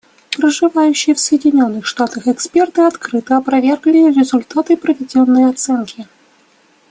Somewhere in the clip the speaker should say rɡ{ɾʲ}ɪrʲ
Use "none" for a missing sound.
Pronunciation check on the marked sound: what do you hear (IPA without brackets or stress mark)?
lʲ